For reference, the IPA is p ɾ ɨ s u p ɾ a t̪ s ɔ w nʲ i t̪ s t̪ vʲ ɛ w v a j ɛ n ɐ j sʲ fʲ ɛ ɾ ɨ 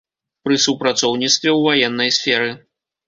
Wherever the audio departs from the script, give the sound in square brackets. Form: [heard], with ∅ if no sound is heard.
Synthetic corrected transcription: p ɾ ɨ s u p ɾ a t̪ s ɔ w nʲ i t̪ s t̪ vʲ ɛ w v a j ɛ [nː] ɐ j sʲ fʲ ɛ ɾ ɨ